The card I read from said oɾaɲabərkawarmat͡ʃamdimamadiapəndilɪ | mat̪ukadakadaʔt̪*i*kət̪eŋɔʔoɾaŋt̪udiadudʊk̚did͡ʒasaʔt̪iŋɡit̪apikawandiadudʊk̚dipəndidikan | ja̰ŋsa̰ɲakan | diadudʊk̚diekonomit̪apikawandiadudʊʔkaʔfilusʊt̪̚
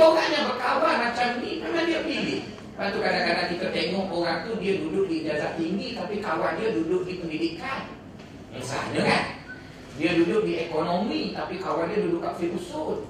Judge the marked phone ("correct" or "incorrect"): correct